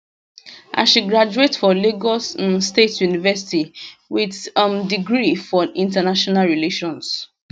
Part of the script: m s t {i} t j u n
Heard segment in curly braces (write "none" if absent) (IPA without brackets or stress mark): e